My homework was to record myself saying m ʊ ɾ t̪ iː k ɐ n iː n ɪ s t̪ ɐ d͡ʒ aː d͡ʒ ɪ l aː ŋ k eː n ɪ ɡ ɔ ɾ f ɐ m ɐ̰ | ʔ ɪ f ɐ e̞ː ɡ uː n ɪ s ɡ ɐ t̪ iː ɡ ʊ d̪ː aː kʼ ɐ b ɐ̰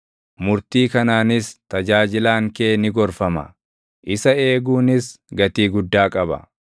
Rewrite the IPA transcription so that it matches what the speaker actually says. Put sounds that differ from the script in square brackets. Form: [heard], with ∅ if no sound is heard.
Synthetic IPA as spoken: m ʊ ɾ t̪ iː k ɐ n [aː] n ɪ s t̪ ɐ d͡ʒ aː d͡ʒ ɪ l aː ŋ k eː n ɪ ɡ ɔ ɾ f ɐ m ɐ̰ | ʔ ɪ [s] ɐ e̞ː ɡ uː n ɪ s ɡ ɐ t̪ iː ɡ ʊ d̪ː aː kʼ ɐ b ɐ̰